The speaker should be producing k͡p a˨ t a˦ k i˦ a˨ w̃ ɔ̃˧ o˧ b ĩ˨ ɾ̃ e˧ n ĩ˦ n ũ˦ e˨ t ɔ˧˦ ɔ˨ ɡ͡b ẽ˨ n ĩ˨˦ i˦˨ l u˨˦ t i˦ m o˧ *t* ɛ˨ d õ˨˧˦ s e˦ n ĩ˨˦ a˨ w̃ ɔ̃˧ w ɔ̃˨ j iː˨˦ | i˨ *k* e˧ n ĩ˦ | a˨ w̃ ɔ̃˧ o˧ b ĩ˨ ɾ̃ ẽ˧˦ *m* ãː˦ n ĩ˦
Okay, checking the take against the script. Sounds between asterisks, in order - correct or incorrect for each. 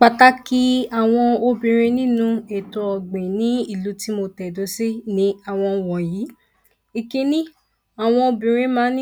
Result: correct, correct, correct

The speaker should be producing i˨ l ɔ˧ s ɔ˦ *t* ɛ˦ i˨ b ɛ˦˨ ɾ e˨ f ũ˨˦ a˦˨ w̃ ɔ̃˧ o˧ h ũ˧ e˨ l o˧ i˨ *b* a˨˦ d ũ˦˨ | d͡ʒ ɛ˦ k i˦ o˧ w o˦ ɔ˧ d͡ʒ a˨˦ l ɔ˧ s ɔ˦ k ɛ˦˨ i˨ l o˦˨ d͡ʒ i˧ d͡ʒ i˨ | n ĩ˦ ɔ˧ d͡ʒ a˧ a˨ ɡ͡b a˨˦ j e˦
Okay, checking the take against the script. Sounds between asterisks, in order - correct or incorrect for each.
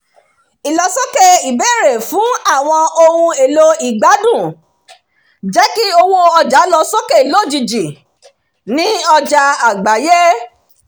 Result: incorrect: k, incorrect: ɡ͡b

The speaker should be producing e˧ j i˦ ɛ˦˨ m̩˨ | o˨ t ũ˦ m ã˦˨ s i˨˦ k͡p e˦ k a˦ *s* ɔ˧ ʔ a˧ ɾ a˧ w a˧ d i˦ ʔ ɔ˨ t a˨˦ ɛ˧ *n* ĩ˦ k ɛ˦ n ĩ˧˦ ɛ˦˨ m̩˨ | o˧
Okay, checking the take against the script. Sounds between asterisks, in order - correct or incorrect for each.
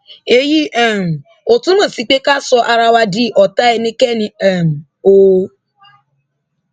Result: correct, correct

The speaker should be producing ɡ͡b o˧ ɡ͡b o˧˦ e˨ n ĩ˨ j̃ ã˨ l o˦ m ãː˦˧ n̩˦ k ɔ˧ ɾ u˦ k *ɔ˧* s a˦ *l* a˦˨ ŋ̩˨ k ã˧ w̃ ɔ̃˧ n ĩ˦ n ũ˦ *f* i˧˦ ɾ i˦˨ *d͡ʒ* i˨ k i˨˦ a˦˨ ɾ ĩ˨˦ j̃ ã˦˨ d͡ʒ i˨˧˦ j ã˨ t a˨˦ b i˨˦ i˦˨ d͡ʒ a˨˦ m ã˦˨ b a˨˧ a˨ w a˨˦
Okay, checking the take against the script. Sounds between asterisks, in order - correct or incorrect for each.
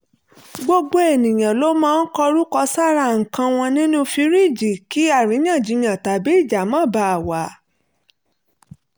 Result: correct, incorrect: ɾ, correct, correct

